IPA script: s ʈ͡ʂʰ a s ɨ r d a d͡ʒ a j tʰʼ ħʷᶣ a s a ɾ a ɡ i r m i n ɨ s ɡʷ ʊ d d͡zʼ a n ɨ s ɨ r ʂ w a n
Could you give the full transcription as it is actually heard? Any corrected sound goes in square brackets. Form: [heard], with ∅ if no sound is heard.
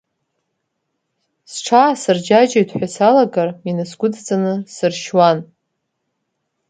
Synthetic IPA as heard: s ʈ͡ʂʰ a s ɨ r [d͡ʒ] a d͡ʒ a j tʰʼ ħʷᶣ a s a [l] a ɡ [a] r m i n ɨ s ɡʷ ʊ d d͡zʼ a n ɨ s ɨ r [ʃ] w a n